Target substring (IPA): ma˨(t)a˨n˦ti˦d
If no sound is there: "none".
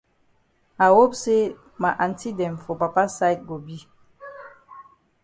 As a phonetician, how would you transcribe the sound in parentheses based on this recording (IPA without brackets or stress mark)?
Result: ʔ